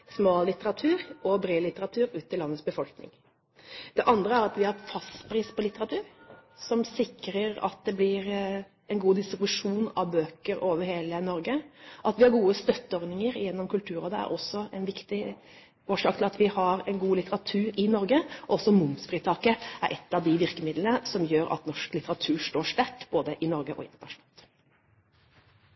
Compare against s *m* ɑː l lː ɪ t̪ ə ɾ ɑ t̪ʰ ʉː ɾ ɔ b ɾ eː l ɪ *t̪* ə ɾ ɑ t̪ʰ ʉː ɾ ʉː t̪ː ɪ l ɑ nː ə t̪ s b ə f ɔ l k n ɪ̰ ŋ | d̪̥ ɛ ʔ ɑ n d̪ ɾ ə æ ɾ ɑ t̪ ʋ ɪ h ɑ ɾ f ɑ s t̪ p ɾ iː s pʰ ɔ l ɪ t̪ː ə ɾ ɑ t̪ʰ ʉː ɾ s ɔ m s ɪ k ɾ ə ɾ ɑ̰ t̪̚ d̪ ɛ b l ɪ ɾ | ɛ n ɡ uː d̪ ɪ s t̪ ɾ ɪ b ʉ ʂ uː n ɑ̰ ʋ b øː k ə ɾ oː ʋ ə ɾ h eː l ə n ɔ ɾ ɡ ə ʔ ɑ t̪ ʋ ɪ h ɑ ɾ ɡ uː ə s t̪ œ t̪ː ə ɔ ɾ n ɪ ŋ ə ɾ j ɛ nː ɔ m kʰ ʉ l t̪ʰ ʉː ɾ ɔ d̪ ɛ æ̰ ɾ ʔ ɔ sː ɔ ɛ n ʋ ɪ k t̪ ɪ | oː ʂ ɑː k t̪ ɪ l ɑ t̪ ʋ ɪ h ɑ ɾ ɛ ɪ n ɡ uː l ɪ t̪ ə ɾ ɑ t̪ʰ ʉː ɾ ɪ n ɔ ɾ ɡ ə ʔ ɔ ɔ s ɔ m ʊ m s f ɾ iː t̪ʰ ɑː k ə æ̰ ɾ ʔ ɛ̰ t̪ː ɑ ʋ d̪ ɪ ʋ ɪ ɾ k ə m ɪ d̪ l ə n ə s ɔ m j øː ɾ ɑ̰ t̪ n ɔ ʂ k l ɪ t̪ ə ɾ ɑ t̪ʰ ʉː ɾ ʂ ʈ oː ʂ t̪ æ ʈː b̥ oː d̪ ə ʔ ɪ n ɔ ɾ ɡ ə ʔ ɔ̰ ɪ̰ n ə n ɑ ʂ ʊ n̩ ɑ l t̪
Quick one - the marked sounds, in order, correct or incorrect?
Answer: correct, correct

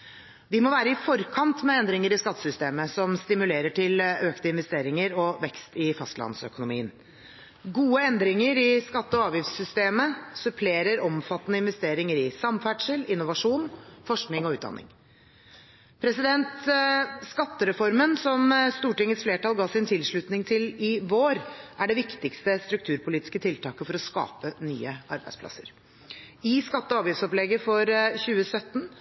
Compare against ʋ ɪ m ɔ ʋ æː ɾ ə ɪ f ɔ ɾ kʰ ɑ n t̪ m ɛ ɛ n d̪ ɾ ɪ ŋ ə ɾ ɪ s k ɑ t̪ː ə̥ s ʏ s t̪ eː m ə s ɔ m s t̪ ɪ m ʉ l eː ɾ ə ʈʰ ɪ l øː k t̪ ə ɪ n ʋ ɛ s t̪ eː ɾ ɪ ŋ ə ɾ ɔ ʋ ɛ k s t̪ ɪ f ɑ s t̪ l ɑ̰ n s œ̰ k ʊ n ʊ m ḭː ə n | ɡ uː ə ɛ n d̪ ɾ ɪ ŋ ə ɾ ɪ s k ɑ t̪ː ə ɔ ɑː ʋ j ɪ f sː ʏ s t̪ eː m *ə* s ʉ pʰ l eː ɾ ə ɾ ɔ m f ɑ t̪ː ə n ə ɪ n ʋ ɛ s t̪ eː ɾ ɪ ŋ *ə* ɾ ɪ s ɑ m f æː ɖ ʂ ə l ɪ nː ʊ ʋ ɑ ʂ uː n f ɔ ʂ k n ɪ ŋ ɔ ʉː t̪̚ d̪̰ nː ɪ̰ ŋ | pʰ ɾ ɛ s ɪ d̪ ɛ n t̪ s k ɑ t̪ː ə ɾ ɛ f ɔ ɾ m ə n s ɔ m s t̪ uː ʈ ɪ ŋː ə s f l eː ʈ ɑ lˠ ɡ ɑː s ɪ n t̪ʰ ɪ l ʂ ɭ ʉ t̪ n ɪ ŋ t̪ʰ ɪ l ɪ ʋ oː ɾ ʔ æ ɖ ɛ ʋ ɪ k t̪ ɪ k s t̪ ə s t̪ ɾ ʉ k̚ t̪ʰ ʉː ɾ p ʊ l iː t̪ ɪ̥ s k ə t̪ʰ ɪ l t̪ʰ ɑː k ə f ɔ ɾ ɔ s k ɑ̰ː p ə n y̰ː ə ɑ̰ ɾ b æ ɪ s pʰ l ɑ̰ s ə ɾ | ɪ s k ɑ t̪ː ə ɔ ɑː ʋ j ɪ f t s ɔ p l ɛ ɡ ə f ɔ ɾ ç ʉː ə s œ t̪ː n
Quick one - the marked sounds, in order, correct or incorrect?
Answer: correct, correct

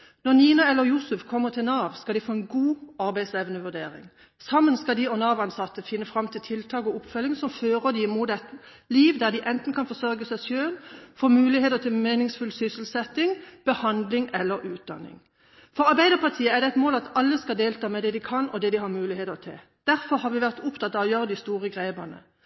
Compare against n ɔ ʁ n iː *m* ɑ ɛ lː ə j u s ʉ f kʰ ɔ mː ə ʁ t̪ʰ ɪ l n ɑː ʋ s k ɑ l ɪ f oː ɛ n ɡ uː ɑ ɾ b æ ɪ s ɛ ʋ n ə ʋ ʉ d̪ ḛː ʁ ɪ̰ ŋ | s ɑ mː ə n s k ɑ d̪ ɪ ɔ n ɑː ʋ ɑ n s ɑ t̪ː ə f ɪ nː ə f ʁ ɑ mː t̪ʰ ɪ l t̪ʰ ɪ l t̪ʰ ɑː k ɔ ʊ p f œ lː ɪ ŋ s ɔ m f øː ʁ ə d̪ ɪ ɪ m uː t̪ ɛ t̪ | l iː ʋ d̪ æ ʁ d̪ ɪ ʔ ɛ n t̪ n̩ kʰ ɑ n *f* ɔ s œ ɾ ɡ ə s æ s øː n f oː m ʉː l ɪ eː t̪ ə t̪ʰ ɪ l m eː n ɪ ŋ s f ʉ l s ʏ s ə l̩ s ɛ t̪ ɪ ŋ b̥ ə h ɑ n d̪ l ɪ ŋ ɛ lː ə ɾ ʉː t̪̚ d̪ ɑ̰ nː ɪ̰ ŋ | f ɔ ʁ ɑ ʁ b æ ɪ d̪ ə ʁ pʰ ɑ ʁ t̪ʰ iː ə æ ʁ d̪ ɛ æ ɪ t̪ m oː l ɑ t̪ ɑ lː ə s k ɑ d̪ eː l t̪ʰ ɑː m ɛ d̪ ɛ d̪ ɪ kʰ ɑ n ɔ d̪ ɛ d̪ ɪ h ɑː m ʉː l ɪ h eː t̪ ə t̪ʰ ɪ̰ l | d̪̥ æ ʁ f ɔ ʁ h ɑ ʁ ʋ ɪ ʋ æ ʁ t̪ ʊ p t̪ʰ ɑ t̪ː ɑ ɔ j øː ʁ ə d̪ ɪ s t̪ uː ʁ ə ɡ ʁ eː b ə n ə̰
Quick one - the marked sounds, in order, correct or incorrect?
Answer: incorrect, correct

